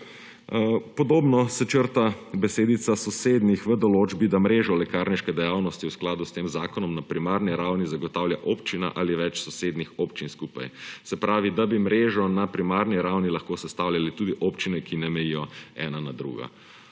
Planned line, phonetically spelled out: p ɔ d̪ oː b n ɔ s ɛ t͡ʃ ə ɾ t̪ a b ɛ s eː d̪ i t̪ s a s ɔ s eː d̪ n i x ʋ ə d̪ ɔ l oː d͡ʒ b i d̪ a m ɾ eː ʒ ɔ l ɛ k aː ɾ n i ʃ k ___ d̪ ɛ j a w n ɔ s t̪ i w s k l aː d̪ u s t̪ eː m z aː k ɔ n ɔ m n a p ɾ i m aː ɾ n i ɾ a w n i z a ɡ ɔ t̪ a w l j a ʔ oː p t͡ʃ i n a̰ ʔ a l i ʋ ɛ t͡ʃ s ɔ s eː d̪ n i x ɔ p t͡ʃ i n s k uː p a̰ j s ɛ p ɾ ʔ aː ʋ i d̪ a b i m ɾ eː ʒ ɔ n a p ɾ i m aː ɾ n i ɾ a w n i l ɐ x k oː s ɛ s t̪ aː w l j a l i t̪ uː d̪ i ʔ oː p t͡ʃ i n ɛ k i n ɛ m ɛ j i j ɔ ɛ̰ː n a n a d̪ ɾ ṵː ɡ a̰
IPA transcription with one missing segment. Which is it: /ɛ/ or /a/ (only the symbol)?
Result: ɛ